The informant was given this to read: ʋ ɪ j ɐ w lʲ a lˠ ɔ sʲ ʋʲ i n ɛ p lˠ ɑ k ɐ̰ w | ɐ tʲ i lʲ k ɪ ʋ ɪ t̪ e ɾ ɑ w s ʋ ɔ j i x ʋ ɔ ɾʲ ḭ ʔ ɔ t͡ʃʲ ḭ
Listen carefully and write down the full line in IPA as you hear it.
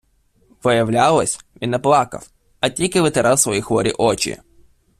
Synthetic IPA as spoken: ʋ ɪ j ɐ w lʲ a lˠ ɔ sʲ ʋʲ i n ɛ p lˠ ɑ k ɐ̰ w | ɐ tʲ i lʲ k ɪ ʋ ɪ t̪ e ɾ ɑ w s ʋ ɔ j i x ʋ ɔ ɾʲ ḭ ʔ ɔ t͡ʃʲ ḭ